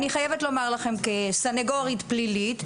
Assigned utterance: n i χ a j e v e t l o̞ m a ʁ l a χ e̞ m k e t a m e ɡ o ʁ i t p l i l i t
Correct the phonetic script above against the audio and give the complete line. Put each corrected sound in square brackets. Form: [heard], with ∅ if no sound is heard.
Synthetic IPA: n i χ a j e v e t l o̞ m a ʁ l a χ e̞ m k e [s] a [n] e ɡ o ʁ i t p l i l i t